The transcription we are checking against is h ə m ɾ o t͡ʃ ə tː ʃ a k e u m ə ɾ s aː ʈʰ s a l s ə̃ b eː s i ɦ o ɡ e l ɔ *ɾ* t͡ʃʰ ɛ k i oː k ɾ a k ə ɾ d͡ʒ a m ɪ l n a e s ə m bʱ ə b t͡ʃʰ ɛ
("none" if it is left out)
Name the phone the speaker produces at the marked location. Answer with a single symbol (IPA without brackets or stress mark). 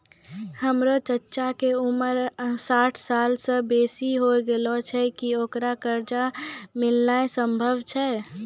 none